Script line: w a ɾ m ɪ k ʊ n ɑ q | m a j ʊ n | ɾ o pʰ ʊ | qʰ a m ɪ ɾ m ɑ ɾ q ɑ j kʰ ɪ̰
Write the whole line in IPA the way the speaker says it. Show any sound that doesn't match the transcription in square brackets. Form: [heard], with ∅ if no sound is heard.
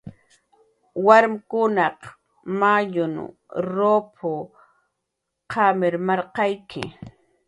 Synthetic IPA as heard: w a ɾ m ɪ k ʊ n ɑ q | m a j ʊ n | ɾ o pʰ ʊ | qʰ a m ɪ ɾ m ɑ ɾ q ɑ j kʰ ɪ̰